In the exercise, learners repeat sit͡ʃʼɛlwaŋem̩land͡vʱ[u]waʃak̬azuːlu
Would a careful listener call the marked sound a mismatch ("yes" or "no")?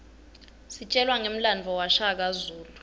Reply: yes